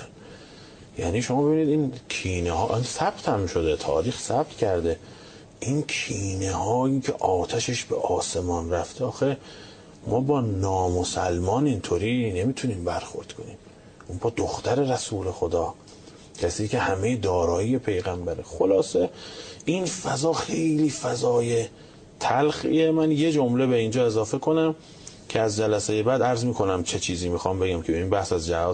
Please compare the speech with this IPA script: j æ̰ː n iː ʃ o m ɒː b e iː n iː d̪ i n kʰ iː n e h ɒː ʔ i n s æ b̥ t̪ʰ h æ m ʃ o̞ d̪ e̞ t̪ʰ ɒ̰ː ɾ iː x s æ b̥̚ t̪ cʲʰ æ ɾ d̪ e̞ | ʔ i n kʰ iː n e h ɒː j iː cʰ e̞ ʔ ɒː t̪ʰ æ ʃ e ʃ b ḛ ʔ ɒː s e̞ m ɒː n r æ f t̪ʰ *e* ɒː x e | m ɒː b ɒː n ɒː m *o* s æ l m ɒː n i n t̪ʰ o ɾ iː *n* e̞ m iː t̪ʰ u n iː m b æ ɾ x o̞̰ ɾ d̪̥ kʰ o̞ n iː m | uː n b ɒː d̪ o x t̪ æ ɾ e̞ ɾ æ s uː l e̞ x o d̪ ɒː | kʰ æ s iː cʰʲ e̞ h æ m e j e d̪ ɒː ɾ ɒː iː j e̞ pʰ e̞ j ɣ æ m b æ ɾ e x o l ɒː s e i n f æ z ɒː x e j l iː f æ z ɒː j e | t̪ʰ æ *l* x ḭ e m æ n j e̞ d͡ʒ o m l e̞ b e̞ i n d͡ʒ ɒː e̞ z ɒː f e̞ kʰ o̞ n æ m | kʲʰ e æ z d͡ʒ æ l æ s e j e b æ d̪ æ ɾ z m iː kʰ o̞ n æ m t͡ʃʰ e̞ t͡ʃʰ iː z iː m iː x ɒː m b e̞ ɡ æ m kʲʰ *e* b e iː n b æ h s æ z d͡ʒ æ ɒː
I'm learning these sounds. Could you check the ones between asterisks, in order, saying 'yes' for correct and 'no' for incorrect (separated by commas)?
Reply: yes, yes, yes, yes, yes